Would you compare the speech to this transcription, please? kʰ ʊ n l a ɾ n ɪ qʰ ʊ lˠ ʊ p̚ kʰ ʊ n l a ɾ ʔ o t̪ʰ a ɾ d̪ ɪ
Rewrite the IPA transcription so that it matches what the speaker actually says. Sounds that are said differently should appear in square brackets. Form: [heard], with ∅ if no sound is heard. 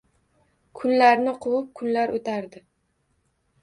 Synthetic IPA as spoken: kʰ ʊ n l a ɾ n ɪ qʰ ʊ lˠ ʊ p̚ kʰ ʊ n l a ɾ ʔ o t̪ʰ a ɾ d̪ ɪ